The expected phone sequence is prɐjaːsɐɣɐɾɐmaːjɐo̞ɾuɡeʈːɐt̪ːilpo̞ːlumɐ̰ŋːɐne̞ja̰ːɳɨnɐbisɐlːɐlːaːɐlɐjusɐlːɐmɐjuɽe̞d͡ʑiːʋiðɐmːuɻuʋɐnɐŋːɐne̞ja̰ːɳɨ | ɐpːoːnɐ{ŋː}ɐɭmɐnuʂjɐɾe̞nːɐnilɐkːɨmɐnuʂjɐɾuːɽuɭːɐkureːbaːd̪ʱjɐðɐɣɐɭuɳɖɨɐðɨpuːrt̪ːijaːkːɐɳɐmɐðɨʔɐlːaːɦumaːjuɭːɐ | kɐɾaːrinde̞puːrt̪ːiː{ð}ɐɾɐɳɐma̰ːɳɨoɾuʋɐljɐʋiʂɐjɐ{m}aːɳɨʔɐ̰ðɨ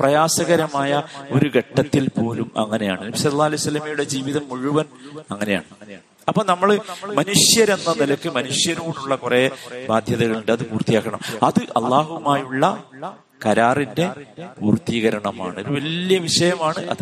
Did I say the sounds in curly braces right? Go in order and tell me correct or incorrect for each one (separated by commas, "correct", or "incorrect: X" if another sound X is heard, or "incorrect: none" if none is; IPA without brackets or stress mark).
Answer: incorrect: mː, incorrect: ɣ, correct